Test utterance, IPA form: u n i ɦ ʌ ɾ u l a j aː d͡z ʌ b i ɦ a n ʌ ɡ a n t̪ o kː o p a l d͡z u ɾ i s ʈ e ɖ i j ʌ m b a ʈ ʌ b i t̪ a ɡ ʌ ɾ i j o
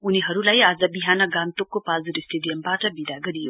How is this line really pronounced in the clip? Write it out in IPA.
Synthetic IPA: u n i ɦ ʌ ɾ u l a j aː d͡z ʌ b i ɦ a n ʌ ɡ a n t̪ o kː o p a l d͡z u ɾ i s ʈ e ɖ i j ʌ m b a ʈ ʌ b i d̪ a ɡ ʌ ɾ i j o